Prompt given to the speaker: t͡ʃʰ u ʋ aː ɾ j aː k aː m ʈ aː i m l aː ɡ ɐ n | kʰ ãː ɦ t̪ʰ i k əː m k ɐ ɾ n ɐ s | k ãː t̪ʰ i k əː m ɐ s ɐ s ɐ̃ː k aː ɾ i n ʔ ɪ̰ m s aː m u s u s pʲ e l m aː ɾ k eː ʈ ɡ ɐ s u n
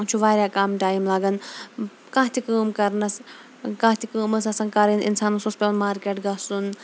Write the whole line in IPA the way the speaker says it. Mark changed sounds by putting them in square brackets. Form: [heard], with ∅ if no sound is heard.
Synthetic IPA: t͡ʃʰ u ʋ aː ɾ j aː k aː m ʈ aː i m l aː ɡ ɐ n | [k] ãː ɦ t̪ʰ i k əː m k ɐ ɾ n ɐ s | k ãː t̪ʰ i k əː m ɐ s ɐ s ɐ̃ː k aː ɾ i n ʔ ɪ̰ [n] s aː [n] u s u s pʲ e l m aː ɾ k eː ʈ ɡ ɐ s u n